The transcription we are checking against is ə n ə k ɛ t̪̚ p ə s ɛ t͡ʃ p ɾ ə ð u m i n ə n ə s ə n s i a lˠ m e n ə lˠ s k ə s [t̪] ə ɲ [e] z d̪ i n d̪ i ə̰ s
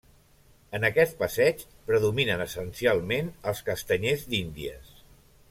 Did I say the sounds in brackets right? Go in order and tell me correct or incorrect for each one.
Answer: correct, correct

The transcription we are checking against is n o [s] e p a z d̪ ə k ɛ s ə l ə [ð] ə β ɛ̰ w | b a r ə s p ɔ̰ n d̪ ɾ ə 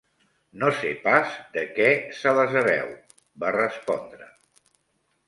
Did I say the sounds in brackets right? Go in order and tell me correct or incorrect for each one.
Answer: correct, incorrect: z

